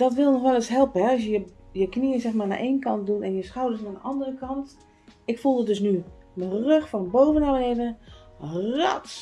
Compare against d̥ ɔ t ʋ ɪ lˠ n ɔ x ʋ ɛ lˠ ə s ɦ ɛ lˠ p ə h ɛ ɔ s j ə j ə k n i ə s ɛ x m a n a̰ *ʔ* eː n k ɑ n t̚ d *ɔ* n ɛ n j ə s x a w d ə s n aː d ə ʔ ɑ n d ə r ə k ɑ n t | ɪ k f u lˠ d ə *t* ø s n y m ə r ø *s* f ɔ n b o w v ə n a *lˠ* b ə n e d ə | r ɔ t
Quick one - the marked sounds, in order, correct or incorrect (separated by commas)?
correct, incorrect, incorrect, incorrect, incorrect